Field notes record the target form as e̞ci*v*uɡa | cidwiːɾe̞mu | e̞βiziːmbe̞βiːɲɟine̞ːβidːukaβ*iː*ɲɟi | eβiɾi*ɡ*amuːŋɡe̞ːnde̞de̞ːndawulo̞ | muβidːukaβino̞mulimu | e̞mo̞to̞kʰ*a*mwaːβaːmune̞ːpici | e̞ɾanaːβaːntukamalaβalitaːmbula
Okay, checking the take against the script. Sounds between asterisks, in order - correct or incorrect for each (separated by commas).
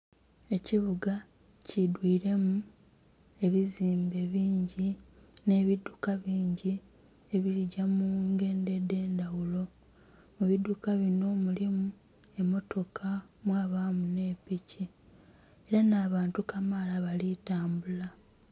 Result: incorrect, correct, incorrect, correct